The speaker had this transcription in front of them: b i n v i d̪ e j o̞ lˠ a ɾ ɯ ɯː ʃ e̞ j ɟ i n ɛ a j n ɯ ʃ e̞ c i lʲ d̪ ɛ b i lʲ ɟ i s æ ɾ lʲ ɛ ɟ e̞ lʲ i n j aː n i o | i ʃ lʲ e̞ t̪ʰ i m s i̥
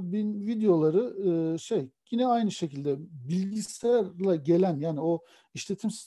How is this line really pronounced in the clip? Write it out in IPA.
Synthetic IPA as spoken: b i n v i d̪ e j o̞ lˠ a ɾ ɯ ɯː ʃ e̞ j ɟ i n ɛ a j n ɯ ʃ e̞ c i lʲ d̪ ɛ b i lʲ ɟ i s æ ɾ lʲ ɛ ɟ e̞ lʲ æ n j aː n i o | i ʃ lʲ e̞ t̪ʰ i m s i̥